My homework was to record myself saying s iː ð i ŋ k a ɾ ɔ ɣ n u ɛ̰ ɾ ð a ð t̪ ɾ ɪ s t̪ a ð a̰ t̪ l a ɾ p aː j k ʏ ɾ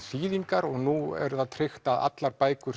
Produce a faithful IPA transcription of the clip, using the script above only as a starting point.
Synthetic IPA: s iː ð i ŋ k a ɾ ɔ ɣ n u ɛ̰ ɾ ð a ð t̪ʰ ɾ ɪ x t̪ a ð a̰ t̪ l a ɾ p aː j k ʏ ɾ